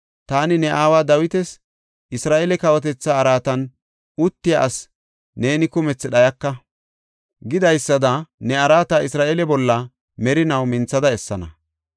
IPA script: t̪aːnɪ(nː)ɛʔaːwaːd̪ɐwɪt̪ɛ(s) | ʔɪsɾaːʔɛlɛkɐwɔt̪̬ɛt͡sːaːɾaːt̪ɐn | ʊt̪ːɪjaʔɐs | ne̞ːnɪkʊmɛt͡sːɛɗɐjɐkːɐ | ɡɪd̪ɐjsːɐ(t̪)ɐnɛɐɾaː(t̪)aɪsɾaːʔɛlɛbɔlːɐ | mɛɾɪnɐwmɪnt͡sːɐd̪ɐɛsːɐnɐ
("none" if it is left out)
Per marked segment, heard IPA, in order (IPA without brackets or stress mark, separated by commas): n, s, d̪, t̪